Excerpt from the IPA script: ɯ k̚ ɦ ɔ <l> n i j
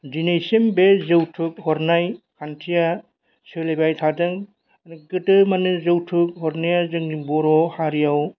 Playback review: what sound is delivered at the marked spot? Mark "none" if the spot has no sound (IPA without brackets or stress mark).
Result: ɾ